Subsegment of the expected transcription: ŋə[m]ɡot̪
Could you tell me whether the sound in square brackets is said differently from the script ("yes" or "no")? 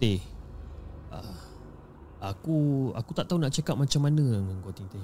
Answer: yes